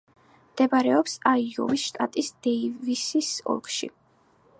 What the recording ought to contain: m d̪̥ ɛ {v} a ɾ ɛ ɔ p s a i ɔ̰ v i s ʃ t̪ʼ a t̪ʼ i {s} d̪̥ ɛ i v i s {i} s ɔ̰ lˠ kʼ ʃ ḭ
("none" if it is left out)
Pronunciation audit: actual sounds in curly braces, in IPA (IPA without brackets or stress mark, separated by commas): b, s, i